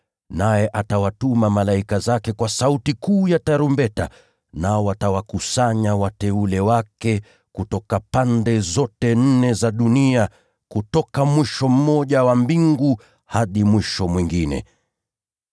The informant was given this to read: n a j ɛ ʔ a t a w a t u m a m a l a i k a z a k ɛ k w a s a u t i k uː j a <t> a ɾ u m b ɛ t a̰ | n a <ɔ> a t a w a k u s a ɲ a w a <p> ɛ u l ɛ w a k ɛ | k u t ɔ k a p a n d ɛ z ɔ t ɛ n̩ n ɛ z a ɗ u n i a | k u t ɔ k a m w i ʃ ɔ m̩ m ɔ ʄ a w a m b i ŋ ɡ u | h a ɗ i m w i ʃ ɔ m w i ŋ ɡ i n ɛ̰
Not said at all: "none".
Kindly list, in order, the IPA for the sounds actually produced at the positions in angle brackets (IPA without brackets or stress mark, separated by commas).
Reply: t, ɔ, t